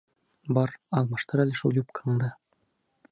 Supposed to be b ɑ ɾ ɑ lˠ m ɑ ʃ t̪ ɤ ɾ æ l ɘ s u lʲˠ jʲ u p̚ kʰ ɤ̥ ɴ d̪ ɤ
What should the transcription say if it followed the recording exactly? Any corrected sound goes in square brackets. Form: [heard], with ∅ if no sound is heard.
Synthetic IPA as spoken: b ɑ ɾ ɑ lˠ m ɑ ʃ t̪ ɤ ɾ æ l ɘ [ʃ] u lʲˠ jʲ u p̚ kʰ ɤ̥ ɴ d̪ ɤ